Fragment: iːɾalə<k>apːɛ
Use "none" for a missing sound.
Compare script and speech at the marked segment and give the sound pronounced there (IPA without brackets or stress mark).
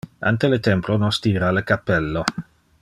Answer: k